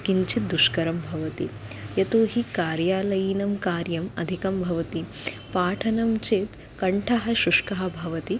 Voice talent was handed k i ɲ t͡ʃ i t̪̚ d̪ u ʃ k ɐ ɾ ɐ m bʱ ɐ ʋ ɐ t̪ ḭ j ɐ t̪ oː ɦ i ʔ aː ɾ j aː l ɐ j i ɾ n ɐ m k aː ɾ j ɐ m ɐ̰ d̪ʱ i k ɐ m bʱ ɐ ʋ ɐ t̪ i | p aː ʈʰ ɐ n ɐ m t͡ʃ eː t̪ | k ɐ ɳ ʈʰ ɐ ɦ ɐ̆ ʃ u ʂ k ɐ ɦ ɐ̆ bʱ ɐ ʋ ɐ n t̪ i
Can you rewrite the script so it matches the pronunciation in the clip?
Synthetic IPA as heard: k i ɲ t͡ʃ i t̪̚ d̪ u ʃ k ɐ ɾ ɐ m bʱ ɐ ʋ ɐ t̪ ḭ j ɐ t̪ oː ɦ i k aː ɾ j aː l ɐ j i n ɐ m k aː ɾ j ɐ m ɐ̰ d̪ʱ i k ɐ m bʱ ɐ ʋ ɐ t̪ i | p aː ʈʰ ɐ n ɐ m t͡ʃ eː t̪ | k ɐ ɳ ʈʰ ɐ ɦ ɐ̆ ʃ u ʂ k ɐ ɦ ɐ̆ bʱ ɐ ʋ ɐ t̪ i